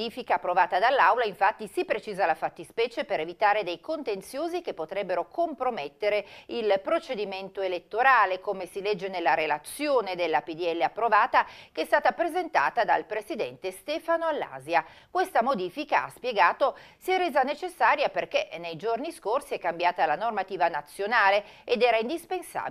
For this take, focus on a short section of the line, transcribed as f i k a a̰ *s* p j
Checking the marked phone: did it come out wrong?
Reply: no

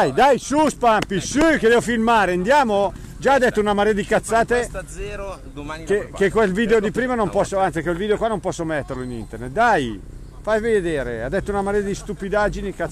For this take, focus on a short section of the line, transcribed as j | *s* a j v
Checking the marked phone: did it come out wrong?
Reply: yes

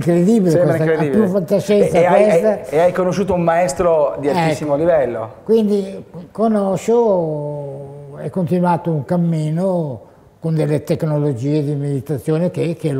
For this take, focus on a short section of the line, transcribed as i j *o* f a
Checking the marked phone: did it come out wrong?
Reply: yes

